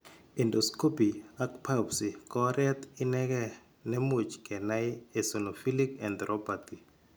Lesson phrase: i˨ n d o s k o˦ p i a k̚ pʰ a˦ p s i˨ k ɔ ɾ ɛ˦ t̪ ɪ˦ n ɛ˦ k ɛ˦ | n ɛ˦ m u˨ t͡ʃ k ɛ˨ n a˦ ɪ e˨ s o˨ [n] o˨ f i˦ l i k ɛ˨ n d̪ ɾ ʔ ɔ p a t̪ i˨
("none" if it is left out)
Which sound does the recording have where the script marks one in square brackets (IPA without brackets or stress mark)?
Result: n